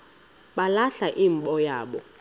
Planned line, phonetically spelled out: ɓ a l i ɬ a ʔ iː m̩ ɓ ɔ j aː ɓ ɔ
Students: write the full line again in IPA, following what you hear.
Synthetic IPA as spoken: ɓ a l a ɬ a ʔ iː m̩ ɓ ɔ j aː ɓ ɔ

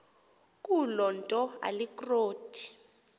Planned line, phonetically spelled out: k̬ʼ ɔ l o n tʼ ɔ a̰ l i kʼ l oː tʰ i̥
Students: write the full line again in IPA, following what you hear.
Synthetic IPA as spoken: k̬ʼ u l ɔ n tʼ ɔ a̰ l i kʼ r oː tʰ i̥

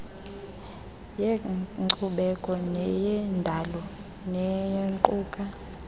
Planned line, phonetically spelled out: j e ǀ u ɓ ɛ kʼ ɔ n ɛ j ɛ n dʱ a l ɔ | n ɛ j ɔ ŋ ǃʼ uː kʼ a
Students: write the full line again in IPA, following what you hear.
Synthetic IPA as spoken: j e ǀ u ɓ ɛ kʼ ɔ n ɛ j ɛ n dʱ a l ɔ | n ɛ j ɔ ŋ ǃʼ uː kʼ a

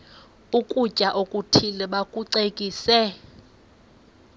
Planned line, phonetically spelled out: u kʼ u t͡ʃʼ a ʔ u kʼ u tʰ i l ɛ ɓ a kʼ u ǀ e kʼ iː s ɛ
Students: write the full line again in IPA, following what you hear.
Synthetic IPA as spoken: u kʼ u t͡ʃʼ a ʔ o kʼ u tʰ i l ɛ ɓ a kʼ u ǀ e kʼ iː s ɛ

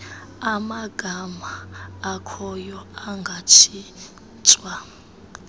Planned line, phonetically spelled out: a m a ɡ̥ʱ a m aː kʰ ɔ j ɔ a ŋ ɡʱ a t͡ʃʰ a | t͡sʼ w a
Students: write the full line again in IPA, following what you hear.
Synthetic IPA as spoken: a m a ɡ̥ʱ a m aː kʰ ɔ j ɔ a ŋ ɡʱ a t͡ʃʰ i | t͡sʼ w a

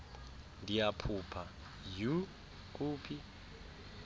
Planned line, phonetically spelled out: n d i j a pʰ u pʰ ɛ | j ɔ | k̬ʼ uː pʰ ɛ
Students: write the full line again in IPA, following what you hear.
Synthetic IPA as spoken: n d i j a pʰ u pʰ a | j u | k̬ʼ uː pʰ i

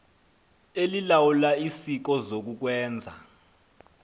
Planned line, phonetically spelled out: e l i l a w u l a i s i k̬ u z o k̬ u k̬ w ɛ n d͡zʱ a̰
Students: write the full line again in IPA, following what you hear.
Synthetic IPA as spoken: e l i l a w u l a i s i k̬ ɔ z o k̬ u k̬ w ɛː n d͡zʱ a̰

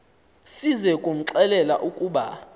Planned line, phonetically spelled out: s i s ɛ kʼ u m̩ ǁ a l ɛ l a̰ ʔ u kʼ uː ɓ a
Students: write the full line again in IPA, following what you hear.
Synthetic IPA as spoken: s i z ɛ kʼ u m̩ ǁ ɛ l ɛ l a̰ ʔ u kʼ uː ɓ a

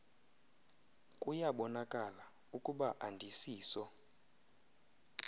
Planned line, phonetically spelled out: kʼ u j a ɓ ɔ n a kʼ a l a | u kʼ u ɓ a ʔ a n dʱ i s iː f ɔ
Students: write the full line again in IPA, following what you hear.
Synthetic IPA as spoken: kʼ u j a ɓ ɔ n a kʼ a l a | u kʼ u ɓ a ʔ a n dʱ i s iː s ɔ

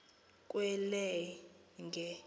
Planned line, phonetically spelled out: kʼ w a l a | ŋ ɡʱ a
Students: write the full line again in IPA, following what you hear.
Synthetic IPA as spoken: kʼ w ɛ l ɛ | ŋ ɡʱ ɛ

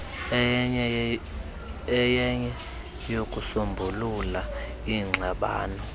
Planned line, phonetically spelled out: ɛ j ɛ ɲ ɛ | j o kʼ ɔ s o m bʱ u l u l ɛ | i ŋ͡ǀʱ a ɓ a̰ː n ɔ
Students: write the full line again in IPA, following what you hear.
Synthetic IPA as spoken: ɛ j ɛ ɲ ɛ | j o kʼ u s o m bʱ u l u l a | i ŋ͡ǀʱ a ɓ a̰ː n ɔ

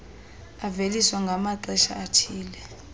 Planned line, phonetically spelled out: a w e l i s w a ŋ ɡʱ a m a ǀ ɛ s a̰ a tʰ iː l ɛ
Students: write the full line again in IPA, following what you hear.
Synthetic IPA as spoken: a v e l i s w a ŋ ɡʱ a m a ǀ ɛ ʃ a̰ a tʰ iː l ɛ

